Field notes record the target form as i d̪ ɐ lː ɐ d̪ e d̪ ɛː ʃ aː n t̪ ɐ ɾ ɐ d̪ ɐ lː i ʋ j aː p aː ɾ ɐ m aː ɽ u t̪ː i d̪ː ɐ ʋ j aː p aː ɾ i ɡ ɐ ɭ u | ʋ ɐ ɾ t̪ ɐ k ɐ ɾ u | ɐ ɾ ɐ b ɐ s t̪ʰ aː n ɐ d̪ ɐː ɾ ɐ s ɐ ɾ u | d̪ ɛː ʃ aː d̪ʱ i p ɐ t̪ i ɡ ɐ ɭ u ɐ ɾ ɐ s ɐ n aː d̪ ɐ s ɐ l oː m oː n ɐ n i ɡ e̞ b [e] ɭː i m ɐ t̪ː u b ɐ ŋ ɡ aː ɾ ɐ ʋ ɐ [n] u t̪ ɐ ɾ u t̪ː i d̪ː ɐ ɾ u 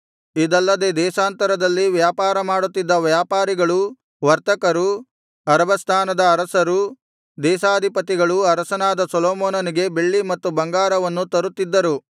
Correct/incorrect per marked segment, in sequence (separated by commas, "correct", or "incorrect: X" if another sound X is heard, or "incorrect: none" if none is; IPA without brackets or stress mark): correct, incorrect: nː